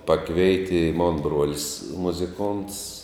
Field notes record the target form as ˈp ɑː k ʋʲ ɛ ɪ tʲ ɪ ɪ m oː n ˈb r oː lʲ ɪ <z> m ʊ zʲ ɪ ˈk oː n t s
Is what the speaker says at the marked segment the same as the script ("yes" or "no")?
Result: no